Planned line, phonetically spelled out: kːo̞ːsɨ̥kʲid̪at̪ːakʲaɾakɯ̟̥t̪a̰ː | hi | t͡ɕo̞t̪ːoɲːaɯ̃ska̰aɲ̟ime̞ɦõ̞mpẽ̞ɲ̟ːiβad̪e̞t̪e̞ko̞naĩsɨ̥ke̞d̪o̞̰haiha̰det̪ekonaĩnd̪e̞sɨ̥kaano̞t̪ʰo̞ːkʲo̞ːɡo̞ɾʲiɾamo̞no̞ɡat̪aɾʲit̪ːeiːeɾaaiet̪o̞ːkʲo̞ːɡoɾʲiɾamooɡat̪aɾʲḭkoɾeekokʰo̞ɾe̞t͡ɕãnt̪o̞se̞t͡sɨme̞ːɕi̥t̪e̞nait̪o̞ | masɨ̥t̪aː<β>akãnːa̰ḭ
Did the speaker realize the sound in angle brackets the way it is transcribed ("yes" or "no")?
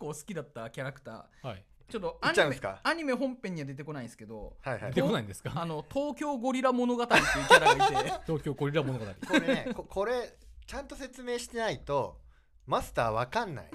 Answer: yes